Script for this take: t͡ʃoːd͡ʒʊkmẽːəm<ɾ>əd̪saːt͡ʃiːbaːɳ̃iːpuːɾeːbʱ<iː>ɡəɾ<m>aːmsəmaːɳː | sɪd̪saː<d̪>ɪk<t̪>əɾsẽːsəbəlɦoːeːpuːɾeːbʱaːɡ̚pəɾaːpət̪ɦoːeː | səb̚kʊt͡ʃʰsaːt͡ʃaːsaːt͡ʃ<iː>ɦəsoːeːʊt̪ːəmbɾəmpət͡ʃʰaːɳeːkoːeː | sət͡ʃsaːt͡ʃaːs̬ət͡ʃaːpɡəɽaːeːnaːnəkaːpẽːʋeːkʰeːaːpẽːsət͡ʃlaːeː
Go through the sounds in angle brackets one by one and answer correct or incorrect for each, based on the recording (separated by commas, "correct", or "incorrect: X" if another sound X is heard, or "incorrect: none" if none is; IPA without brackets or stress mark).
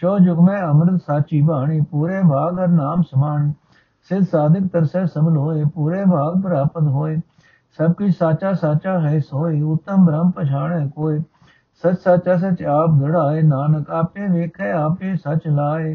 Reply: correct, incorrect: aː, incorrect: n, correct, correct, incorrect: aː